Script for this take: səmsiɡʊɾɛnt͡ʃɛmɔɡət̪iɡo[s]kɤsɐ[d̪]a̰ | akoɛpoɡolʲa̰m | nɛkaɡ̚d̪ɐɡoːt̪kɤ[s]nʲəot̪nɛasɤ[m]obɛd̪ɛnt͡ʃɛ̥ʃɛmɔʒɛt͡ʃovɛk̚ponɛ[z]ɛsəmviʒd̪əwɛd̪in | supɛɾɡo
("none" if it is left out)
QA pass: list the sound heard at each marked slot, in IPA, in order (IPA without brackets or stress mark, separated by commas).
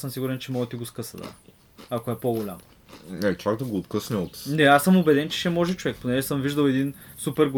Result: s, d̪, s, m, ʒ